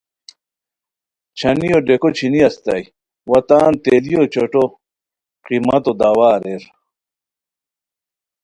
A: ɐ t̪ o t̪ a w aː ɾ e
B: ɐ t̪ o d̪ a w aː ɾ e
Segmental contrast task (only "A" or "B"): B